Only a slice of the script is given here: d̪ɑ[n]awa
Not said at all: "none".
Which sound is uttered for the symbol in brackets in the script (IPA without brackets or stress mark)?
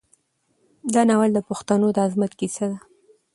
n